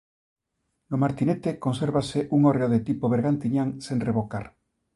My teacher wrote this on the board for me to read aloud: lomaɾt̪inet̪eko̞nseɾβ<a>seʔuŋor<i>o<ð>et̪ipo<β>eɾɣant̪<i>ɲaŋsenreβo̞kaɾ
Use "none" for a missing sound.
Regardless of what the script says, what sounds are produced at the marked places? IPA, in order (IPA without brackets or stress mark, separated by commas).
a, e, ð, β, i